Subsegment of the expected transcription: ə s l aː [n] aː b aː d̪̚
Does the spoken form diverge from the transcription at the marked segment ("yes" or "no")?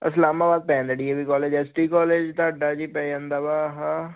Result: yes